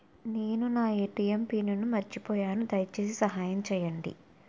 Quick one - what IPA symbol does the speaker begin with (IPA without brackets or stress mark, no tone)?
n